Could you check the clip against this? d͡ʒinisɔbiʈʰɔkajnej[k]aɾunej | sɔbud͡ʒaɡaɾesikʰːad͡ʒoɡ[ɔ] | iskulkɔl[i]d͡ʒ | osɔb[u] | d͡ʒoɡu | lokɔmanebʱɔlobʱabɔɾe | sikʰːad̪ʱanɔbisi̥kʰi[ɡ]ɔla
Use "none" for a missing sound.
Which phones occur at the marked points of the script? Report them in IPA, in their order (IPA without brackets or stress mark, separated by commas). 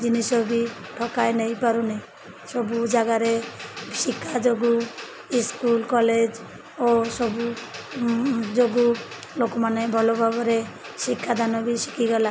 p, u, e, u, ɡ